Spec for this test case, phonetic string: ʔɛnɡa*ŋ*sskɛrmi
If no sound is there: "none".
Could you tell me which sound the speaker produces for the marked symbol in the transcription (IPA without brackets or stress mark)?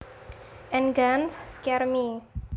n